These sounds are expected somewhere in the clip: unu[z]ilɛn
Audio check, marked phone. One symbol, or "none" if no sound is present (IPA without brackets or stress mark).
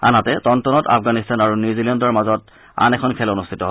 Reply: z